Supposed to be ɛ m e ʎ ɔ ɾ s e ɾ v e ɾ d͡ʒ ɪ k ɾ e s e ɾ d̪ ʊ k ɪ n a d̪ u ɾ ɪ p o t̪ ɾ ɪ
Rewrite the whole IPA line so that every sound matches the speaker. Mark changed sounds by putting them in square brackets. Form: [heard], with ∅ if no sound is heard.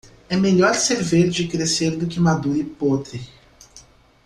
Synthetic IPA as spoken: ɛ m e ʎ ɔ ɾ s e ɾ v e ɾ d͡ʒ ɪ k ɾ e s e ɾ d̪ ʊ k ɪ [m] a d̪ u ɾ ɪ p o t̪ ɾ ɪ